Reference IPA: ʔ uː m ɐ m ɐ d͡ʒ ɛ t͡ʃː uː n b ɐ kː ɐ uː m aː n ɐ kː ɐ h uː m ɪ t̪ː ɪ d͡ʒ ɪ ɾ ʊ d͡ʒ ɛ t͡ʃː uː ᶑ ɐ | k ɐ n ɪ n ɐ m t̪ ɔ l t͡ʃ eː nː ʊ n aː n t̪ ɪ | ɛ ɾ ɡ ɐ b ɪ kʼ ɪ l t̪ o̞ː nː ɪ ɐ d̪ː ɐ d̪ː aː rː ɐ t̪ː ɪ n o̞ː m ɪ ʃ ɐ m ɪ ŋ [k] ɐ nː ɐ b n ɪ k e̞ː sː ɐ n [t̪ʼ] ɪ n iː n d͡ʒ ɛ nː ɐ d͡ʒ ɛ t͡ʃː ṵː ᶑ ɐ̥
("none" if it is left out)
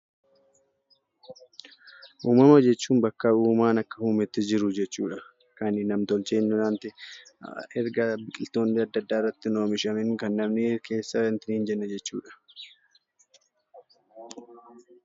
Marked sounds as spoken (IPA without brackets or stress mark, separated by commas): k, t̪